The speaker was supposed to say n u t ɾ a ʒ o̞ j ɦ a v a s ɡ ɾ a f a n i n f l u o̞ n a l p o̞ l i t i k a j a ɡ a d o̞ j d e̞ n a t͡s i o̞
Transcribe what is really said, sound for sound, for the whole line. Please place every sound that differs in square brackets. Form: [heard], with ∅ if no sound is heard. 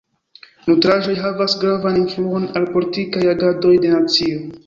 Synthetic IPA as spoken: n u t ɾ a ʒ o̞ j ɦ a v a s ɡ ɾ a [v] a n i n f l u o̞ n a l p o̞ l i t i k a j a ɡ a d o̞ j d e̞ n a t͡s i o̞